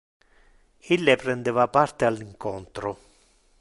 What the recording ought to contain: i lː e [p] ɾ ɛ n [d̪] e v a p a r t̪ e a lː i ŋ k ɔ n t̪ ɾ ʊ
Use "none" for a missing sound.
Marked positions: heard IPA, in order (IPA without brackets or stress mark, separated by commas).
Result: p, d̪